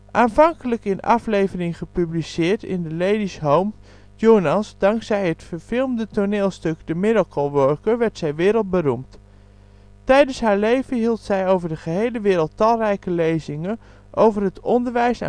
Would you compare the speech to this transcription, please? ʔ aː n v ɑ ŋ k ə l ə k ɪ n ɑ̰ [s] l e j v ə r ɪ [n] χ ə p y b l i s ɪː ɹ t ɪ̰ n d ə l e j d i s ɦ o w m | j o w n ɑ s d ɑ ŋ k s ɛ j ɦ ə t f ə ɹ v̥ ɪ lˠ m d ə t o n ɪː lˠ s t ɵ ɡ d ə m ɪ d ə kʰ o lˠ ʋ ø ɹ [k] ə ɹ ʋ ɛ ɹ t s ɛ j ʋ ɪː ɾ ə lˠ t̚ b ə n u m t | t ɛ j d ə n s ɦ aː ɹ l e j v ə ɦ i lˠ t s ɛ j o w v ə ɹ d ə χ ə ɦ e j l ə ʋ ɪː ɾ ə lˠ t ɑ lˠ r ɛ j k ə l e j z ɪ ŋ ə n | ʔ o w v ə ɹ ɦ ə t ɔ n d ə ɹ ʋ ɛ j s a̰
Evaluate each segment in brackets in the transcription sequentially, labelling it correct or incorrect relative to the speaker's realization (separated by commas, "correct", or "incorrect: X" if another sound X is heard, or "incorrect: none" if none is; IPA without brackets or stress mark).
incorrect: f, incorrect: ŋ, correct